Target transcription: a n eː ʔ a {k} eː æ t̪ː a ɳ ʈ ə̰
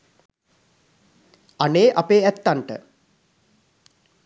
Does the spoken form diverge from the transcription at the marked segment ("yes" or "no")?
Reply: yes